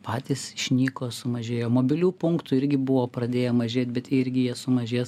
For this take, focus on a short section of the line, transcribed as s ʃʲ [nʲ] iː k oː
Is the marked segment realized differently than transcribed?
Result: no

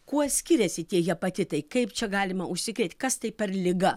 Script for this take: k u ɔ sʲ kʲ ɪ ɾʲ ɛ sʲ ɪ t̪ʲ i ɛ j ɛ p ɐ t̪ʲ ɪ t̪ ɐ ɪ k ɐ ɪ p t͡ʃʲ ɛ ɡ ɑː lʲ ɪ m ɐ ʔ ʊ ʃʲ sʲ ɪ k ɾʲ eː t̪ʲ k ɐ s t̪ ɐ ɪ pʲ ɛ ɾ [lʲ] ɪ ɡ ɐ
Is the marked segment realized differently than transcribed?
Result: no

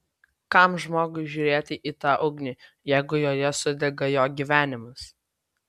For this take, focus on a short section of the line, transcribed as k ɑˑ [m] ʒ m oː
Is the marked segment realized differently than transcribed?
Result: no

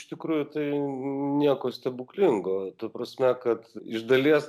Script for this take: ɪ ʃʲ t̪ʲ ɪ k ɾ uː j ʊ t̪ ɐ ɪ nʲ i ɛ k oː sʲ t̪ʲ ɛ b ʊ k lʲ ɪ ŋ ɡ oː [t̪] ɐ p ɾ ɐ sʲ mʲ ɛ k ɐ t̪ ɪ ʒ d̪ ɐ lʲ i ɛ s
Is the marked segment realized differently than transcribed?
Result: no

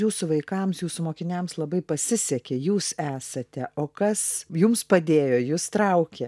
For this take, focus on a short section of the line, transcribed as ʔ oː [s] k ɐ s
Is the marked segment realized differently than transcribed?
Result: yes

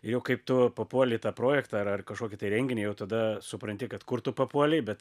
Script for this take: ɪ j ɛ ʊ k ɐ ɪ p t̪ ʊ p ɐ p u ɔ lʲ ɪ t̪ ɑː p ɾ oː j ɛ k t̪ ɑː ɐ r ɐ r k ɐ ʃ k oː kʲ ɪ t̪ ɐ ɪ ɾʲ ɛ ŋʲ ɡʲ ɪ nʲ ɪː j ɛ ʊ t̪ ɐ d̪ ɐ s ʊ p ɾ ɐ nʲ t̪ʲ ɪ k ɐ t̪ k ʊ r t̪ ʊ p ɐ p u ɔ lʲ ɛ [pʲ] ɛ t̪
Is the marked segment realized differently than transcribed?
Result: yes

